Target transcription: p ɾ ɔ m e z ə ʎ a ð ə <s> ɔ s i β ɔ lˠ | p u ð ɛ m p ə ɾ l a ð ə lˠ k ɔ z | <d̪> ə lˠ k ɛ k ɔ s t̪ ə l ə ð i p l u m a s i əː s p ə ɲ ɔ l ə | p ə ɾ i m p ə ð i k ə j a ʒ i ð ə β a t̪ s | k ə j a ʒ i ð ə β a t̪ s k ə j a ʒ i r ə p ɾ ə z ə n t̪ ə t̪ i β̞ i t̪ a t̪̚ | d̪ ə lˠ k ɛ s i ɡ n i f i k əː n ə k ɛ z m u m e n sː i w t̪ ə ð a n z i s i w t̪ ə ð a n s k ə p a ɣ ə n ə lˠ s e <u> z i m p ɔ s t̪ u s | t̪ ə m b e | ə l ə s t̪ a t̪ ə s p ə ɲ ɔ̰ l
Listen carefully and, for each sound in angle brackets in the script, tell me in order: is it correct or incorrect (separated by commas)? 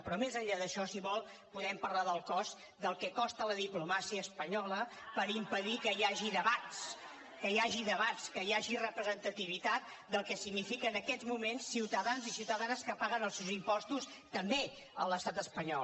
incorrect, correct, incorrect